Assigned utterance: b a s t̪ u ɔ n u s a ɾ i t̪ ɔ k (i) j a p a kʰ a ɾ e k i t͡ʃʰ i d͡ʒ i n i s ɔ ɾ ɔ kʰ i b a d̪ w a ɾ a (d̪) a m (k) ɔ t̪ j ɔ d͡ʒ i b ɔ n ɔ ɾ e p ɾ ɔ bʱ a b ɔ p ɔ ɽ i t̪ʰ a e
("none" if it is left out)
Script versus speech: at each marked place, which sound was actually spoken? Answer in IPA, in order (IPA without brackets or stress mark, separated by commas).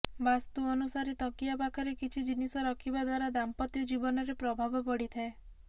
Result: i, d̪, p